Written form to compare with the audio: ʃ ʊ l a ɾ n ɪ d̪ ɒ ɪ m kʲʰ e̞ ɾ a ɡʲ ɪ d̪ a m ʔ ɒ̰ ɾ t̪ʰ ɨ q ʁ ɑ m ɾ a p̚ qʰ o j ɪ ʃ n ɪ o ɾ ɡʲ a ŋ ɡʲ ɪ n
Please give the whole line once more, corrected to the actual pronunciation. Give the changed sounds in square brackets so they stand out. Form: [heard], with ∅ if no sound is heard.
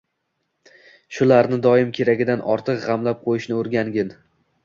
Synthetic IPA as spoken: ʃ ʊ l a ɾ n ɪ d̪ ɒ ɪ m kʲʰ e̞ ɾ a ɡʲ ɪ d̪ a [n] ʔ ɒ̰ ɾ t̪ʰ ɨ q ʁ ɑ m [l] a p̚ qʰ o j ɪ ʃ n ɪ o ɾ ɡʲ a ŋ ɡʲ ɪ n

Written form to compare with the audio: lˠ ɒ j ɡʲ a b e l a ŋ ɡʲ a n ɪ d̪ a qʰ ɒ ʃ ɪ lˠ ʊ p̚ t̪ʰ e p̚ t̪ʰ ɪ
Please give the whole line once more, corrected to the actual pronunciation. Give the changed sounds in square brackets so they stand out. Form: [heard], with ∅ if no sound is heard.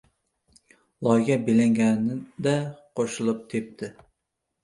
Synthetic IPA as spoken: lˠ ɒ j ɡʲ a b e l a ŋ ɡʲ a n ɪ d̪ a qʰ [o] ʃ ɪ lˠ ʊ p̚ t̪ʰ e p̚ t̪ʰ ɪ

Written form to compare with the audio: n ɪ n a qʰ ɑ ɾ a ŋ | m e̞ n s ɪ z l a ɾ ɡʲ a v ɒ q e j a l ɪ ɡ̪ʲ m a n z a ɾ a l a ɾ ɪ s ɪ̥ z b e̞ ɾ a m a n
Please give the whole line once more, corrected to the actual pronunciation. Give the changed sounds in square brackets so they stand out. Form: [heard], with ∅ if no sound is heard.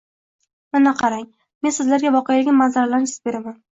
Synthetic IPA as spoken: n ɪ n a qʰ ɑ ɾ a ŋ | m e̞ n s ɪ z l a ɾ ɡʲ a v ɒ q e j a l ɪ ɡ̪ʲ m a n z a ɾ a l a ɾ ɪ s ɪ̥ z b e̞ ɾ a m a n

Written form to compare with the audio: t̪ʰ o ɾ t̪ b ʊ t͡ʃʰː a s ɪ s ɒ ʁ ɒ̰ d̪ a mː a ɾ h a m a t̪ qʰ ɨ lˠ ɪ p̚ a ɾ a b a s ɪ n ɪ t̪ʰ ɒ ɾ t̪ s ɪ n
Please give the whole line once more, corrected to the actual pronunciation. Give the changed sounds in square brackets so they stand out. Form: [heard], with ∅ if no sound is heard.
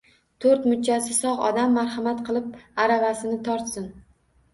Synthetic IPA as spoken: t̪ʰ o ɾ t̪ [m] ʊ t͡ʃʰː a s ɪ s ɒ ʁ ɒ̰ d̪ a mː a ɾ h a m a t̪ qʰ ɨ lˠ ɪ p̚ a ɾ a [v] a s ɪ n ɪ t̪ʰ ɒ ɾ t̪ s ɪ n

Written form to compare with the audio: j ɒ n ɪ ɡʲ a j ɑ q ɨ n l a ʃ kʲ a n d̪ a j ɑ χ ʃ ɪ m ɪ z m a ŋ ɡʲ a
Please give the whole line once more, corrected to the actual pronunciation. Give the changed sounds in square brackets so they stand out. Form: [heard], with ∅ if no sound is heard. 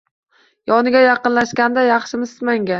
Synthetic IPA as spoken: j ɒ n ɪ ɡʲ a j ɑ q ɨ n l a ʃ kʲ a n d̪ a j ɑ χ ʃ ɪ m ɪ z m a ŋ ɡʲ a

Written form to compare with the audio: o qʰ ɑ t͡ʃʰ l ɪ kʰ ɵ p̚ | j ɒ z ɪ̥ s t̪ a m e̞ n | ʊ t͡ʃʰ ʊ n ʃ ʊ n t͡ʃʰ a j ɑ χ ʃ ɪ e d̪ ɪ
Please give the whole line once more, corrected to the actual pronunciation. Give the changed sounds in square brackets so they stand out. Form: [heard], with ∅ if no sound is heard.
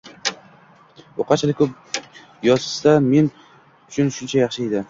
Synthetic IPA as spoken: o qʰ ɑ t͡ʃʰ l ɪ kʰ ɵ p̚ | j ɒ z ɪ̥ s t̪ a m e̞ n | ʊ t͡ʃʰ ʊ n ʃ ʊ n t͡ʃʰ a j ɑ χ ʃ ɪ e d̪ ɪ

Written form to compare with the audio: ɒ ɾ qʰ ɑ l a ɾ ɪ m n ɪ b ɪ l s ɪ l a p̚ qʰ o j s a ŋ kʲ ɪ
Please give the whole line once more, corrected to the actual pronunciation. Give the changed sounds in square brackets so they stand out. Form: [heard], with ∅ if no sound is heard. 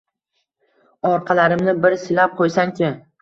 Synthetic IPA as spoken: ɒ ɾ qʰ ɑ l a ɾ ɪ m n ɪ b ɪ [ɾ] s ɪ l a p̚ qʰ o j s a ŋ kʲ ɪ

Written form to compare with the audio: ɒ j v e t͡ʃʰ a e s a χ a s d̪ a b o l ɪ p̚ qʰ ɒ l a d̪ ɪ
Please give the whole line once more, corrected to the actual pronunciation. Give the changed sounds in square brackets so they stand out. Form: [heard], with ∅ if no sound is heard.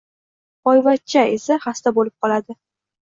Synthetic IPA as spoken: ɒ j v [a] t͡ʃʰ a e s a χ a s [t̪] a b o l ɪ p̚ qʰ ɒ l a d̪ ɪ

